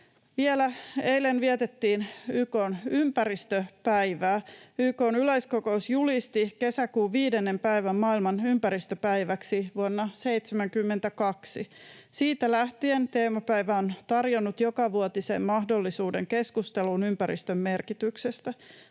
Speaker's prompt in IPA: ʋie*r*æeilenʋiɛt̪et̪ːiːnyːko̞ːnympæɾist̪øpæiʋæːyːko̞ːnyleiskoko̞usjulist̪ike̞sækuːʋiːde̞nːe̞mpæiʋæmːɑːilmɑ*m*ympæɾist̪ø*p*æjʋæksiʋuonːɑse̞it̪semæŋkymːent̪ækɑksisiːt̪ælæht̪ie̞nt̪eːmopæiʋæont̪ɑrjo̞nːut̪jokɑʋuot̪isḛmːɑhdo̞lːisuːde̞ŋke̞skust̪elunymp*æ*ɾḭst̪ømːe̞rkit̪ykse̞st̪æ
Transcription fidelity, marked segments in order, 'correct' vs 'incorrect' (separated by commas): incorrect, incorrect, correct, correct